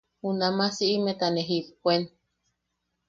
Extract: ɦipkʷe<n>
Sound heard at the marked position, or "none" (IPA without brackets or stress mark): n